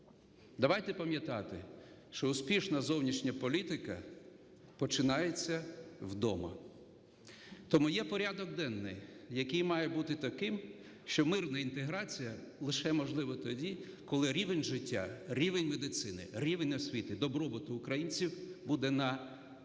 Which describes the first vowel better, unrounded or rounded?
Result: unrounded